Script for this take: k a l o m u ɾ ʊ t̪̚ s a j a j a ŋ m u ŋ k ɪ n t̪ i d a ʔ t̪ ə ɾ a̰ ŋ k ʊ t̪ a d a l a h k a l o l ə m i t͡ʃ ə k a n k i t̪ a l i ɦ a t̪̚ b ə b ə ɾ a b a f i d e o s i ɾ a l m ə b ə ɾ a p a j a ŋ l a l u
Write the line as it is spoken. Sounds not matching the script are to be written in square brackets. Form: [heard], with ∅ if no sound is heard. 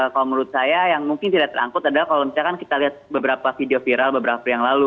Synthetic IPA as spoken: k a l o m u ɾ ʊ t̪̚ s a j a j a ŋ m u ŋ k ɪ n t̪ i d a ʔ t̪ ə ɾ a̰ ŋ k ʊ t̪ a d a l a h k a l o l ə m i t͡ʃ [a] k a n k i t̪ a l i ɦ a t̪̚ b ə b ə ɾ a [p] a f i d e o [f] i ɾ a l [b] ə b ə ɾ a p a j a ŋ l a l u